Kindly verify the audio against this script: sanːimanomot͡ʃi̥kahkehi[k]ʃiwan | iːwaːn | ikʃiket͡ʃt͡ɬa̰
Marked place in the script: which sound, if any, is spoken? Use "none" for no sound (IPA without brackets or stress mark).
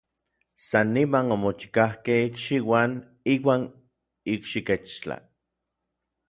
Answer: k